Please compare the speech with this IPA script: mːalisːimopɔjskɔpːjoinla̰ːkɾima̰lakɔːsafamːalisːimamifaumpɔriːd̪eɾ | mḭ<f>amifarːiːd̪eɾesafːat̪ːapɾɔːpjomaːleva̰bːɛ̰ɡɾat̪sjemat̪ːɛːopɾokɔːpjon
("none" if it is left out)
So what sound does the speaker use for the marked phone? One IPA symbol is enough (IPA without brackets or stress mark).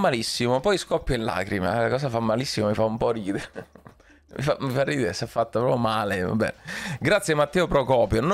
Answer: f